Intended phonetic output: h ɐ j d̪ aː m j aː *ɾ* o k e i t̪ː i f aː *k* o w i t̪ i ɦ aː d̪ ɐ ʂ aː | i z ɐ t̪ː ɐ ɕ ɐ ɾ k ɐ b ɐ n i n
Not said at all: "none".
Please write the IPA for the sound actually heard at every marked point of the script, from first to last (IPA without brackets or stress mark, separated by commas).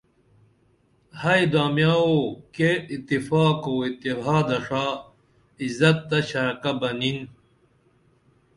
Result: none, k